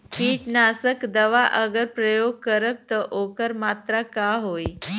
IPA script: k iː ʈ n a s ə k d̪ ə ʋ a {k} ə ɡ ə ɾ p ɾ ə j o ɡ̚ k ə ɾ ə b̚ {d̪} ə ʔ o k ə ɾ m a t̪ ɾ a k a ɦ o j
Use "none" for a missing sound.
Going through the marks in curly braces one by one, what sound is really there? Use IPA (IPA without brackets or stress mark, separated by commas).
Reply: ʔ, t̪